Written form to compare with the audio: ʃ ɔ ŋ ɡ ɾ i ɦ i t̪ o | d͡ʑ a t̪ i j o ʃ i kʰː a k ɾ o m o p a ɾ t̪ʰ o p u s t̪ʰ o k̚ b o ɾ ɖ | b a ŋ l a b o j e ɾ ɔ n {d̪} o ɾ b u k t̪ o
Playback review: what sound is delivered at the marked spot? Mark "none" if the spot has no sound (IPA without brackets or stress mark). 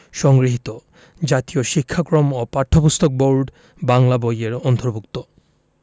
t̪